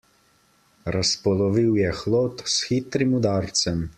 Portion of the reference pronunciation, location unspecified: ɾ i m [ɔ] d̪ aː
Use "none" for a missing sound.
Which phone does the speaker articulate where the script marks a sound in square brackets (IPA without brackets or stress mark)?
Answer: u